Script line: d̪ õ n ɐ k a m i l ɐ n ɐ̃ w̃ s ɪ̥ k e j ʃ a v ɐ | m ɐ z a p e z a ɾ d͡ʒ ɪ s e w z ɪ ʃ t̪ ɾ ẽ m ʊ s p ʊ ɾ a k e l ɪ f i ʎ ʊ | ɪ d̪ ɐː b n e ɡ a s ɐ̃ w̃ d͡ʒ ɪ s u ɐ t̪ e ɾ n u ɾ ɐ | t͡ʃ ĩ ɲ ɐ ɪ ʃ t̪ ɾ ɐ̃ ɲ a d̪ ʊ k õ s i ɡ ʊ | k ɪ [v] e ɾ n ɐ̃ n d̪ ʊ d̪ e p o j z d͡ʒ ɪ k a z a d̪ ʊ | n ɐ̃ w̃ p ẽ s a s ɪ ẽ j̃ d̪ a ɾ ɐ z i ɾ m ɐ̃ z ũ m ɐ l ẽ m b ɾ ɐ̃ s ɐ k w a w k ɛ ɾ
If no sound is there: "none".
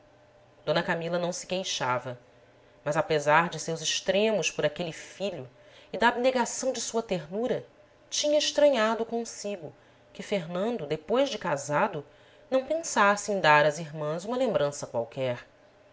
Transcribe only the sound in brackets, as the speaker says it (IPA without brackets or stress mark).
f